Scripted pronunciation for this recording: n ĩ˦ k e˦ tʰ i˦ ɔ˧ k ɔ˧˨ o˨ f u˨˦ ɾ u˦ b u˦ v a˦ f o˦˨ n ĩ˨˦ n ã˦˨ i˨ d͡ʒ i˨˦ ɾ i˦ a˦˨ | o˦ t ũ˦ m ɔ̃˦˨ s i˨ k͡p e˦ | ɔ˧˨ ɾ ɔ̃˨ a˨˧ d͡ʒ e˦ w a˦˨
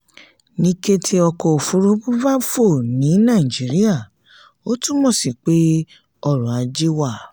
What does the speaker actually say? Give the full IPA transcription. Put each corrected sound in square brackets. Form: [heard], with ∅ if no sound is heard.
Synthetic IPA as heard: n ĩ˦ k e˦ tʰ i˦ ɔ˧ k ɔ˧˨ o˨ f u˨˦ ɾ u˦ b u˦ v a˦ f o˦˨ n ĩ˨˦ n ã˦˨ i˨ d͡ʒ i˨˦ ɾ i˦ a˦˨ | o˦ t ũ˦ m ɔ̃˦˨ s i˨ k͡p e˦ | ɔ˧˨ ɾ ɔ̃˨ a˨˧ d͡ʒ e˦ w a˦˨